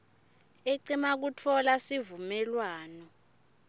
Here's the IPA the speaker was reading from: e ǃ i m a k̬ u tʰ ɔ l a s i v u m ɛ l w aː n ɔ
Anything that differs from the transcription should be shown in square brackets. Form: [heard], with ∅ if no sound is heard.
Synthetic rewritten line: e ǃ i m a k̬ u tʰ ɔ l a s i v u m ɛ l w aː n ɔ